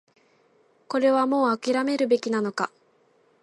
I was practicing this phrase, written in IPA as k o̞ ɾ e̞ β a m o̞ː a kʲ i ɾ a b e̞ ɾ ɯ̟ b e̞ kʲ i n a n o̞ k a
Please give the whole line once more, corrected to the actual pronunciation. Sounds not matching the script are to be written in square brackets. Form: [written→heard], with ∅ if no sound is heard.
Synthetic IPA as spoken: k o̞ ɾ e̞ β a m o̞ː a kʲ i ɾ a [b→m] e̞ ɾ ɯ̟ b e̞ kʲ i n a n o̞ k a